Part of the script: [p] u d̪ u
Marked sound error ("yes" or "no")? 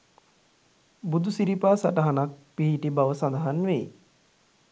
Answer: yes